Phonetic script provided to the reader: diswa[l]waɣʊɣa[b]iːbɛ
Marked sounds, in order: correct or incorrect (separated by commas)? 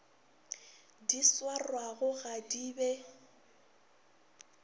incorrect, incorrect